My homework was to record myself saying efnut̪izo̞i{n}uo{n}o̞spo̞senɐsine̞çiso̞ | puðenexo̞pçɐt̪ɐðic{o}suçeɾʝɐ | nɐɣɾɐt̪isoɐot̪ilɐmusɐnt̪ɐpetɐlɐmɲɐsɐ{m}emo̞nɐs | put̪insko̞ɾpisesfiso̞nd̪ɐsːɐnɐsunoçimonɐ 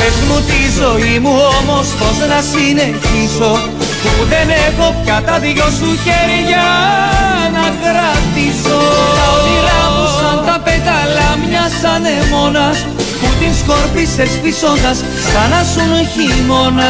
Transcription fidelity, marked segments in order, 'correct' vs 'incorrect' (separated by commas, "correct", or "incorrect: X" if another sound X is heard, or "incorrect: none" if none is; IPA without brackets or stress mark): incorrect: m, incorrect: m, correct, incorrect: n